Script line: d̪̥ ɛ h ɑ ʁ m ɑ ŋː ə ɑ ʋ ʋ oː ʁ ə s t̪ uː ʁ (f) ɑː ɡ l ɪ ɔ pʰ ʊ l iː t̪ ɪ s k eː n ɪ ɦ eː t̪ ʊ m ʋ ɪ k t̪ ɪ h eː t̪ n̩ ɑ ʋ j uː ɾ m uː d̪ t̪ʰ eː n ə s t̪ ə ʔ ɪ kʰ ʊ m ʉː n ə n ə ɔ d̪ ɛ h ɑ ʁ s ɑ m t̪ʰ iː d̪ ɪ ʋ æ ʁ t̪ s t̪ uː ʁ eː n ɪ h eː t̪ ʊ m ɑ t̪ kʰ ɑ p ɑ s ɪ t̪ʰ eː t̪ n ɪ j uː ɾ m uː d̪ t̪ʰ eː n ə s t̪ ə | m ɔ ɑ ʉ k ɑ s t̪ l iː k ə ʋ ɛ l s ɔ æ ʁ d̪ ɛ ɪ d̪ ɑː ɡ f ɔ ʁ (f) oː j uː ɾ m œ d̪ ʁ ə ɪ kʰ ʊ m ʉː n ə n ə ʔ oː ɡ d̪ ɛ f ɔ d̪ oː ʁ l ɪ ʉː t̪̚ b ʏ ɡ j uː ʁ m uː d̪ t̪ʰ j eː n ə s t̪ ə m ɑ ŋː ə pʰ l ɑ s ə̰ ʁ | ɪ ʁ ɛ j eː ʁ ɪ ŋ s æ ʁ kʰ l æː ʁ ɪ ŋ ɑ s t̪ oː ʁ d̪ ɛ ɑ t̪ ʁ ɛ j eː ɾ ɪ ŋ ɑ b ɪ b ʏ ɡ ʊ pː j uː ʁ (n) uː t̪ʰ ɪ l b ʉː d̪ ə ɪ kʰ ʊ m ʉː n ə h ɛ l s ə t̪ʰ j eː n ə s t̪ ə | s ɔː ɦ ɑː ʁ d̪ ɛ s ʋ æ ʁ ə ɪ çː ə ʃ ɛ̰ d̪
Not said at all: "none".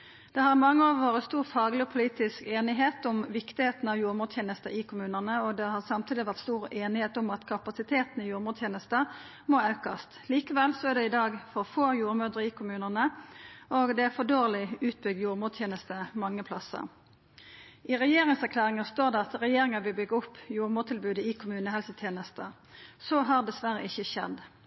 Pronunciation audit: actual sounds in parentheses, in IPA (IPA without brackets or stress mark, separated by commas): f, f, m